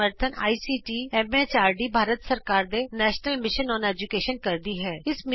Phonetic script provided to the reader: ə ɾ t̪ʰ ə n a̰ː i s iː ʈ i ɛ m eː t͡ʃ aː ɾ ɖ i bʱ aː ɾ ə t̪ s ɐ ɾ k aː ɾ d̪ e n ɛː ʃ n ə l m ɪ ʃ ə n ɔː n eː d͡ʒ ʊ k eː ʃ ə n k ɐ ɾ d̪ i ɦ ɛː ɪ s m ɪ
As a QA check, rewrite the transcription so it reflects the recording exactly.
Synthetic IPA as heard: ə ɾ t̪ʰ ə n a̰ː i s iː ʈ i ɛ m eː t͡ʃ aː ɾ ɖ i bʱ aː ɾ ə t̪ s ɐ ɾ k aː ɾ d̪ e n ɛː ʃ n ə l m ɪ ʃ ə n ɔː n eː d͡ʒ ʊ k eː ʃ ə n k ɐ ɾ d̪ i ɦ ɛː ɪ s m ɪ